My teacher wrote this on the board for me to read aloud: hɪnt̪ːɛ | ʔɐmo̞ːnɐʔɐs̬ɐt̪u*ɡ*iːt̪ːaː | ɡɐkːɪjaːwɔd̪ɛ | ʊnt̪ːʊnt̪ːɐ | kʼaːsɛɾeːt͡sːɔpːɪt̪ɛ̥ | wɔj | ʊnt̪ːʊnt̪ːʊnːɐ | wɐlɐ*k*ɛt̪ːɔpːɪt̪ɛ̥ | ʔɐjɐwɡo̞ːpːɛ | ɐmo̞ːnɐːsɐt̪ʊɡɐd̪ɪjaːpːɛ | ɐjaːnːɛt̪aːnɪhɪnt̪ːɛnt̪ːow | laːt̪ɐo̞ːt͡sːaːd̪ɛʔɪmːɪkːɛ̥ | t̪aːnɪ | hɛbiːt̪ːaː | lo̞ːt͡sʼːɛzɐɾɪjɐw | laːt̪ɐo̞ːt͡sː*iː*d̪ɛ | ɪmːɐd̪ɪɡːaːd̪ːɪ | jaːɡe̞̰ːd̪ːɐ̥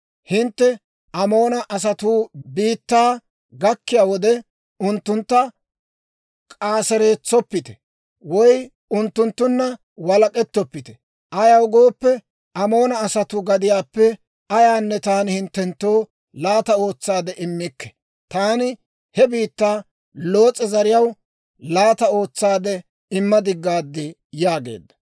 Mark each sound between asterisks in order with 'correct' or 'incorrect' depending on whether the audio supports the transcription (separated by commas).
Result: incorrect, incorrect, incorrect